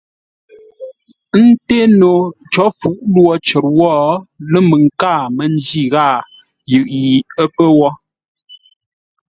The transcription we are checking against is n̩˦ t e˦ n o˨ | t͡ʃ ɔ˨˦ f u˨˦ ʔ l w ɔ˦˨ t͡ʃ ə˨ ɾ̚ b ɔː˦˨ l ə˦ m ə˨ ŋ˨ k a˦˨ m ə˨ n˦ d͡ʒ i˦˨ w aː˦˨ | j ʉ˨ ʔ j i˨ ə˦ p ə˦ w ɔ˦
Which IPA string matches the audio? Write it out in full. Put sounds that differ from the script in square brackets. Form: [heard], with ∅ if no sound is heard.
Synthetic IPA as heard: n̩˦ t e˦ n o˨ | t͡ʃ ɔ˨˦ f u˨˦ ʔ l w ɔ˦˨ t͡ʃ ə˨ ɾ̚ [w] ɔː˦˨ l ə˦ m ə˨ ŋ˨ k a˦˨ m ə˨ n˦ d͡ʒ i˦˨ [ɣ] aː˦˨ | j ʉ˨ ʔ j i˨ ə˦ p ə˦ w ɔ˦